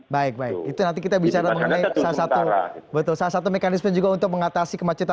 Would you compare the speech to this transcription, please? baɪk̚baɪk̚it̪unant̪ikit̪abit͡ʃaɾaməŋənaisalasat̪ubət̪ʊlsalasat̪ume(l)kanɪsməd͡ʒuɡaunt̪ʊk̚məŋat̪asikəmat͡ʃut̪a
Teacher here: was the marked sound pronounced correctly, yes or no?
no